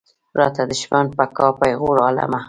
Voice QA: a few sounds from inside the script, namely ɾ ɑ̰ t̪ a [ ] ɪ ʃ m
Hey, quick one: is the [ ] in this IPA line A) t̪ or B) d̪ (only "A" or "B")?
B